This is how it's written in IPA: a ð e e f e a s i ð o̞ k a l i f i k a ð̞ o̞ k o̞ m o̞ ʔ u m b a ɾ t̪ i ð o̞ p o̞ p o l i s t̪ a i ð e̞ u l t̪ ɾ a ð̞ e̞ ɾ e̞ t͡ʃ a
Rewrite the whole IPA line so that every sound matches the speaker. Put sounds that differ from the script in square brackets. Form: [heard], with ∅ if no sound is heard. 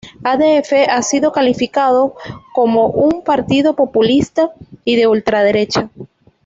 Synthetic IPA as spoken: a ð e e f e a s i ð o̞ k a l i f i k a ð̞ o̞ k o̞ m o̞ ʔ u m [p] a ɾ t̪ i ð o̞ p o̞ p [u] l i s t̪ a i ð e̞ u l t̪ ɾ a ð̞ e̞ ɾ e̞ t͡ʃ a